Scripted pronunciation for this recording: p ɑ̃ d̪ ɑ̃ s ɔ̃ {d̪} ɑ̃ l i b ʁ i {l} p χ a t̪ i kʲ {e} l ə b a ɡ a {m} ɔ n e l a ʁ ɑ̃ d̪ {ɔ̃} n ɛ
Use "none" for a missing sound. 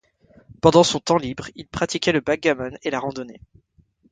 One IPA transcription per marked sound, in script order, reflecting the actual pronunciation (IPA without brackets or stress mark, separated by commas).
t̪, l, ɛ, m, ɔ